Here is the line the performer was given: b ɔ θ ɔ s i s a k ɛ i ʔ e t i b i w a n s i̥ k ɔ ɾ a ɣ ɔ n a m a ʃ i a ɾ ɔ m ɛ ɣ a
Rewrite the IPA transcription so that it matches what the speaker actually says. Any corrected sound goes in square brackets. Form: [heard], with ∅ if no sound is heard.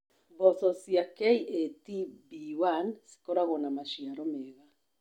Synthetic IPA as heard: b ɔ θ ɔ s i [∅] a k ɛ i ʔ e t i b i w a n s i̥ k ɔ ɾ a ɣ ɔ n a m a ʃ i a ɾ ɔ m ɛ ɣ a